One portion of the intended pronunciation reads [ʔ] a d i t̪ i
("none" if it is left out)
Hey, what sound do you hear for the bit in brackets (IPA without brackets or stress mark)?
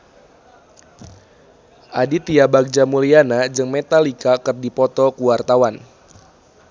ʔ